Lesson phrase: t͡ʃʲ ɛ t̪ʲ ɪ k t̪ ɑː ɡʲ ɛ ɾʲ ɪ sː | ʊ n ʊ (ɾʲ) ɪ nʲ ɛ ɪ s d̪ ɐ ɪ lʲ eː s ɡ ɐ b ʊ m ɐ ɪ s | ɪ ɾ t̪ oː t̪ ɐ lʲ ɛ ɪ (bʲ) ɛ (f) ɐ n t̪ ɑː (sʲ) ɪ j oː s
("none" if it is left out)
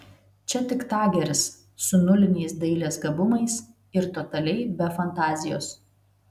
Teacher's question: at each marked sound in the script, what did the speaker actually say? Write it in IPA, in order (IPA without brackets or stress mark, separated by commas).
lʲ, bʲ, f, zʲ